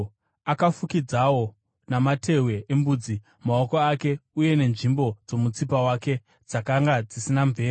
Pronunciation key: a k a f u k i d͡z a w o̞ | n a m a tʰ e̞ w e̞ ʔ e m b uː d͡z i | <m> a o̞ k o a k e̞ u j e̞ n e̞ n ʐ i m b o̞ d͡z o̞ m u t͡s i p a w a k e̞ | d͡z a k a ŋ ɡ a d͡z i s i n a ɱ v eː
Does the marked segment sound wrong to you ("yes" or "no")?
no